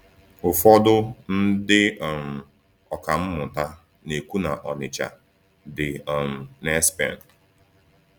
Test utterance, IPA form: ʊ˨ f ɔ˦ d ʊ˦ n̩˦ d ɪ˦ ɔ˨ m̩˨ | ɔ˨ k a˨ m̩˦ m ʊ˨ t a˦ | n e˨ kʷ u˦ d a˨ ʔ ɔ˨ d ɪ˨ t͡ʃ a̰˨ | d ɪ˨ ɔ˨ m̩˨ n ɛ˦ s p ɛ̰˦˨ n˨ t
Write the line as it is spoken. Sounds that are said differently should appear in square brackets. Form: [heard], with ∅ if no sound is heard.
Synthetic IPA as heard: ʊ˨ f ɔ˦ d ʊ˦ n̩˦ d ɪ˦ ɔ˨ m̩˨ | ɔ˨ k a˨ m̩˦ m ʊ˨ t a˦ | n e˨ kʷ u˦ [n] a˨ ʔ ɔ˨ [n] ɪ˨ t͡ʃ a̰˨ | d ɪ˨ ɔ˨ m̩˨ n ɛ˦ s p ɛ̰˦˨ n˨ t

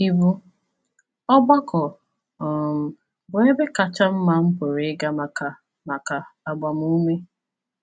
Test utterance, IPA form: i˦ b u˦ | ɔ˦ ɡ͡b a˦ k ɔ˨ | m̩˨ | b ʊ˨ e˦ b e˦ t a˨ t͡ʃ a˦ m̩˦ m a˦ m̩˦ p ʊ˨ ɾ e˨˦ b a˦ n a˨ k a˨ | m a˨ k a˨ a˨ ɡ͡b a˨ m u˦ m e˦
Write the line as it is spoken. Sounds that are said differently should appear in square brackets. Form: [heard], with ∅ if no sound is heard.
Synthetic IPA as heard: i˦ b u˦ | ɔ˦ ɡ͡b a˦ k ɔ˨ | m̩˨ | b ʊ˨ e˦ b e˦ [k] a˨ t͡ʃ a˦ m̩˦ m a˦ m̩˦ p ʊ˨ ɾ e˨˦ [ɡ] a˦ [m] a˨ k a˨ | m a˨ k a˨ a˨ ɡ͡b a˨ m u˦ m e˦

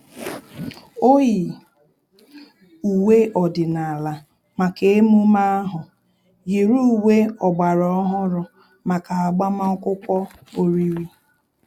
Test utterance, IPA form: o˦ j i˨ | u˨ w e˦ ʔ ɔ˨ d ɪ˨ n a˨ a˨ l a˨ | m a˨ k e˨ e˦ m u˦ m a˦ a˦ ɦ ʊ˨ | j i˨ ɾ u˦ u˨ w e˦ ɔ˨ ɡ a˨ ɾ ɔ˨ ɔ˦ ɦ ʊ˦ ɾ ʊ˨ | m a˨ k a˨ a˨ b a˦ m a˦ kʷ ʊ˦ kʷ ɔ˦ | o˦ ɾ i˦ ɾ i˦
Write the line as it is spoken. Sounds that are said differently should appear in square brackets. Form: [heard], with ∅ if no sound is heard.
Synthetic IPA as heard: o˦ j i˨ | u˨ w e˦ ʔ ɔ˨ d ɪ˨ n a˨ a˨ l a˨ | m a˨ k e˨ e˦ m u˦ m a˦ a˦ ɦ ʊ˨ | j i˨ ɾ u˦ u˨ w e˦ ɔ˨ [ɡ͡b] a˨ ɾ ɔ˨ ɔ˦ ɦ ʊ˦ ɾ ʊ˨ | m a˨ k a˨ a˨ [ɡ͡b] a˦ m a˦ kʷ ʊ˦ kʷ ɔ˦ | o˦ ɾ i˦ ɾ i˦

